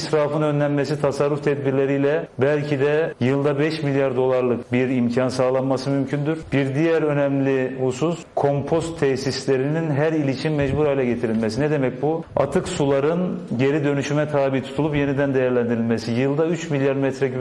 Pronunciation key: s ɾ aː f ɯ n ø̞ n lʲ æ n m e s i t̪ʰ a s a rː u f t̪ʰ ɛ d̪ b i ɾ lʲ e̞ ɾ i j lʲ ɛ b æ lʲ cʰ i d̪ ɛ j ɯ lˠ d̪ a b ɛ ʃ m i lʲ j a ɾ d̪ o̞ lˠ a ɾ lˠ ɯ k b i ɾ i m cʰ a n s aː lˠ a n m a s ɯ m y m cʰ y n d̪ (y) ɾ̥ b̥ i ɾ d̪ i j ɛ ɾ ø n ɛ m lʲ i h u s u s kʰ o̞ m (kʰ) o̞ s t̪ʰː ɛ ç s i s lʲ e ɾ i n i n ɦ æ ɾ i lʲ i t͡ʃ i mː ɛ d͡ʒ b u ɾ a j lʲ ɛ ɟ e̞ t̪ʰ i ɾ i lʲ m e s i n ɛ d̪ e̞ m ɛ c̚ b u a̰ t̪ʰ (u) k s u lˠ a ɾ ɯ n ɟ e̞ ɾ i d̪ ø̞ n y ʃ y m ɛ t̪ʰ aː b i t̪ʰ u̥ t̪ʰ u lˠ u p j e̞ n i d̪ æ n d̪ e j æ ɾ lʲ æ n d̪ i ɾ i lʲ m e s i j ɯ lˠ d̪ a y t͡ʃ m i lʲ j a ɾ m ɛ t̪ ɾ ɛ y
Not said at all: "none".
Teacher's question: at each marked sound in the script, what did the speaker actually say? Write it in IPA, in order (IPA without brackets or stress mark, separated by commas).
y, pʰ, ɯ